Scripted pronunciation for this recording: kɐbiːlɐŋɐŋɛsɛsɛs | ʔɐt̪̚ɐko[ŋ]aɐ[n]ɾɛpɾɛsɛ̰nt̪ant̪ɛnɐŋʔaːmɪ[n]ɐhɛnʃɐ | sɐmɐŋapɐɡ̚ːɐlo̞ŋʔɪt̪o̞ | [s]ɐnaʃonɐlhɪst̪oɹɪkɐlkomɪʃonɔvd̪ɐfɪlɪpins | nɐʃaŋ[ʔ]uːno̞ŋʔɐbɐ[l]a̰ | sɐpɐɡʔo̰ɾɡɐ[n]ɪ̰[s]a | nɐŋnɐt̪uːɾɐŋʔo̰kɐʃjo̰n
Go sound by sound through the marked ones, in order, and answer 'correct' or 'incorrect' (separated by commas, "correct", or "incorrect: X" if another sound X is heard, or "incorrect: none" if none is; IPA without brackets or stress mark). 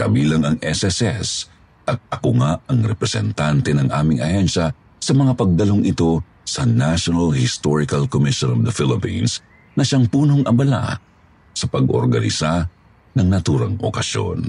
correct, incorrect: ŋ, incorrect: ŋ, correct, incorrect: p, correct, correct, correct